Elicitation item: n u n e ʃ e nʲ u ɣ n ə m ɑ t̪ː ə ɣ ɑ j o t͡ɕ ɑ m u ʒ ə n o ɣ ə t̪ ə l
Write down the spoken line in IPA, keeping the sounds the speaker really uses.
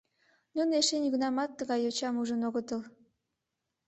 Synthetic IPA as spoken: n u n e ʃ e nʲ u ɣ n ɑ m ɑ t̪ː ə ɣ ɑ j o t͡ɕ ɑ m u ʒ ə n o ɣ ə t̪ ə l